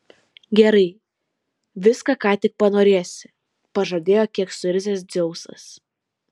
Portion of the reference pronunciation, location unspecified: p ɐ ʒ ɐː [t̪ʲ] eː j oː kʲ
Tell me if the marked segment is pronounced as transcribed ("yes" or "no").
no